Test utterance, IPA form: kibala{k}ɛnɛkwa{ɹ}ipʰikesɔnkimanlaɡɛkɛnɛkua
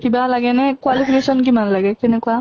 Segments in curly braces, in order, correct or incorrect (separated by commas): incorrect, incorrect